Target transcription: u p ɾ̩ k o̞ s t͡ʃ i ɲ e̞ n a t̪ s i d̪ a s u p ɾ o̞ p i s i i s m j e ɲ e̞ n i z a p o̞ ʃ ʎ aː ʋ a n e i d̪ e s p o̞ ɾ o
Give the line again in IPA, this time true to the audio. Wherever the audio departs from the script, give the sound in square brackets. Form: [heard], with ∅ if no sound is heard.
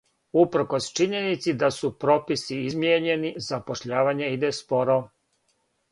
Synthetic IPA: u p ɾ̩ k o̞ s t͡ʃ i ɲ e̞ n [i] t̪ s i d̪ a s u p ɾ o̞ p i s i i [z] m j e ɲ e̞ n i z a p o̞ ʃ ʎ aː ʋ a [ɲ] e i d̪ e s p o̞ ɾ o